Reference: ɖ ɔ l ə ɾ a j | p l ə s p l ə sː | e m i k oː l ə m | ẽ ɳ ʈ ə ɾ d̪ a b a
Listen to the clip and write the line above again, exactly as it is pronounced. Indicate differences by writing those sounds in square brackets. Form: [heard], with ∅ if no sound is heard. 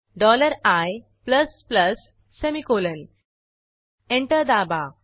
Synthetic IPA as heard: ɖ ɔ l ə ɾ a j | p l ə s p l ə sː | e m i k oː l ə [n] | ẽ ɳ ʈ ə ɾ d̪ a b a